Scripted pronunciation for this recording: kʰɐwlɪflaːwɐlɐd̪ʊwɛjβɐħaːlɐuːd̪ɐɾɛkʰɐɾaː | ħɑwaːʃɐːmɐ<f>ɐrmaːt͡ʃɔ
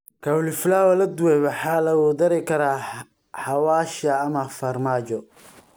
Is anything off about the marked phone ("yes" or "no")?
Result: no